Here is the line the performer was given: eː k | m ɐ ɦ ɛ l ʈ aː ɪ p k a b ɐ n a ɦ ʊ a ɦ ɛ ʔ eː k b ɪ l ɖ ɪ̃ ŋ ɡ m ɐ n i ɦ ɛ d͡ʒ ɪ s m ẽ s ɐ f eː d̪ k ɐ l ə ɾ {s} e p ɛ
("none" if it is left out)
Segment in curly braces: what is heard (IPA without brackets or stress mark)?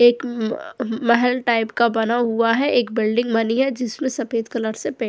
s